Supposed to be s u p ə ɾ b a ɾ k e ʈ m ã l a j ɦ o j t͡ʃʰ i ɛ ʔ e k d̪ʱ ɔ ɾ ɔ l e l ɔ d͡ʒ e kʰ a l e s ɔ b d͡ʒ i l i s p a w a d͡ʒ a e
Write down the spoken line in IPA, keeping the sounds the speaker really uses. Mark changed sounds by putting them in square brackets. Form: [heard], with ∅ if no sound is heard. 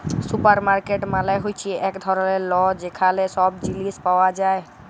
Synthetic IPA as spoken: s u p ə ɾ [m] a ɾ k e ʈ m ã l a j ɦ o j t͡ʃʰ i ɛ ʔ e k d̪ʱ ɔ ɾ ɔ l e l ɔ d͡ʒ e kʰ a l e s ɔ b d͡ʒ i l i s p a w a d͡ʒ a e